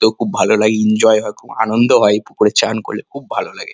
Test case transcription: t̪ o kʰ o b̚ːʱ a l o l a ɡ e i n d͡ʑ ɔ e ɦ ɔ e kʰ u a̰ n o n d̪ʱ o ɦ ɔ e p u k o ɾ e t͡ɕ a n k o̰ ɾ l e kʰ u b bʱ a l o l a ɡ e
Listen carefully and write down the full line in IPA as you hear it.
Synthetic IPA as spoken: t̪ o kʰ u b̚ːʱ a l o l a ɡ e i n d͡ʑ ɔ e ɦ ɔ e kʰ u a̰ n o n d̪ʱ o ɦ ɔ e p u k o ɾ e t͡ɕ a n k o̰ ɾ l e kʰ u b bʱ a l o l a ɡ e